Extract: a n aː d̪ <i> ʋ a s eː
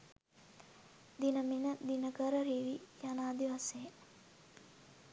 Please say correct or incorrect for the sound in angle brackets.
correct